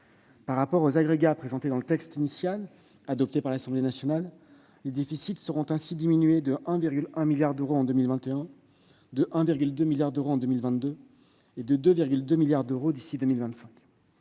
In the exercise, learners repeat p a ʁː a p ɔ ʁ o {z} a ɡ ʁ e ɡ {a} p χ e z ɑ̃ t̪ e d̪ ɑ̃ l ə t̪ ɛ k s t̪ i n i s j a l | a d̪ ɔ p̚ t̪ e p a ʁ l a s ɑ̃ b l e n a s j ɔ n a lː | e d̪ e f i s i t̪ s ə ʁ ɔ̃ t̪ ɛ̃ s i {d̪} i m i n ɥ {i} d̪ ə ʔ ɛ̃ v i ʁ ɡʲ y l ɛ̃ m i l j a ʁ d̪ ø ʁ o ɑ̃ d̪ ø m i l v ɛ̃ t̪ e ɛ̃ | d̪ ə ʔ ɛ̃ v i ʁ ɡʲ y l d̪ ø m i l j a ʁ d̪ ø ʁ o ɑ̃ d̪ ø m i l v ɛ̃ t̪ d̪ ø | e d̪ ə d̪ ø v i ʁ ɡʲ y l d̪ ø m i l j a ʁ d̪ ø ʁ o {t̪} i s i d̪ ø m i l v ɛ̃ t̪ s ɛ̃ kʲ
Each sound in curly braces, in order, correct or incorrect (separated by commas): correct, correct, correct, incorrect, incorrect